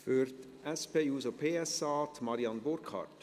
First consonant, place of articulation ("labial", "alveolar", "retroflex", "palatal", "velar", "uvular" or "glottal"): labial